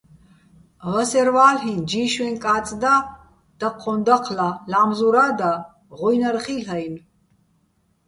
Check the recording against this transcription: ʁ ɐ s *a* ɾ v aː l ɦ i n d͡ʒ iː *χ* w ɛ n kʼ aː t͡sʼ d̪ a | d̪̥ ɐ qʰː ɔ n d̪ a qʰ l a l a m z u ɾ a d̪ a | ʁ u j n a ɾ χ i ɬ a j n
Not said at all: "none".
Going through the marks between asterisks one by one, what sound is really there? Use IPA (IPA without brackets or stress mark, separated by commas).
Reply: ɛ, ʃ